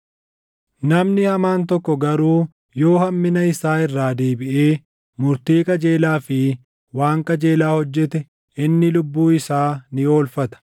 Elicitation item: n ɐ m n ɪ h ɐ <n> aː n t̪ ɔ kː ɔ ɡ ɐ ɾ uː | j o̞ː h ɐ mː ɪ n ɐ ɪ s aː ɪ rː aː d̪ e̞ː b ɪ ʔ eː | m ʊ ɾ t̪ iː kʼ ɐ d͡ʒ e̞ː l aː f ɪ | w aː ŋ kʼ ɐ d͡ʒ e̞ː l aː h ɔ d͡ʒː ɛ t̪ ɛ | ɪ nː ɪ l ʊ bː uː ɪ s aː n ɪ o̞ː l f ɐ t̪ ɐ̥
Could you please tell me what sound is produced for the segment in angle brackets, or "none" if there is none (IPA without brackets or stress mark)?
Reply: m